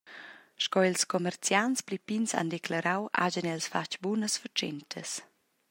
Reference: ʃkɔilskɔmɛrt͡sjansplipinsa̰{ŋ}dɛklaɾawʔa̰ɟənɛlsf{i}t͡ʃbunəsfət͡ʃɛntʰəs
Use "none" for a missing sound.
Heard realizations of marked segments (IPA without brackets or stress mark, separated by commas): n, a